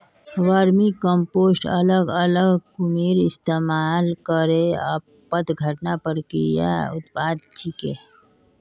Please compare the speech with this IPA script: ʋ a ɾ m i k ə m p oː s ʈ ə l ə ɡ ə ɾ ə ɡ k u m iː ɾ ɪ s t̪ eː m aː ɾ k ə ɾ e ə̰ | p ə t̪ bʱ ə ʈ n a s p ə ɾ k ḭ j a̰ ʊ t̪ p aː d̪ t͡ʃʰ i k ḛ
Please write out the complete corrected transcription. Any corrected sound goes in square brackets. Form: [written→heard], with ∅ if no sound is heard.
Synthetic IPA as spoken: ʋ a ɾ m i k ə m p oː s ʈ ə l ə ɡ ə [ɾ→l] ə ɡ k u m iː ɾ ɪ s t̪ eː m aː [ɾ→l] k ə ɾ e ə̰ | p ə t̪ [bʱ→ɡʱ] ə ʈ n a [s→∅] p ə ɾ k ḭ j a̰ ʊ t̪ p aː d̪ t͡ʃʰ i k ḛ